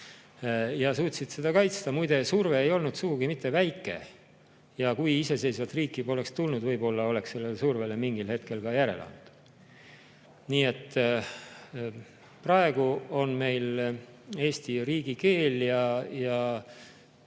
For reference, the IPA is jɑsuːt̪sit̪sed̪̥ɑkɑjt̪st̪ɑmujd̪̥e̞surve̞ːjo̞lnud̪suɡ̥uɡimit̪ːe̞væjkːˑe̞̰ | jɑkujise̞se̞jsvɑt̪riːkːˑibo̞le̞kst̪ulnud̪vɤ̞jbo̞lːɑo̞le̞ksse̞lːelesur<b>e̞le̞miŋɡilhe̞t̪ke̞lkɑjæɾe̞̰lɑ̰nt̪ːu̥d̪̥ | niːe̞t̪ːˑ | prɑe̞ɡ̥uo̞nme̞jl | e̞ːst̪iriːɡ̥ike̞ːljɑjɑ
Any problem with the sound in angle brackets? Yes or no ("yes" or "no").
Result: yes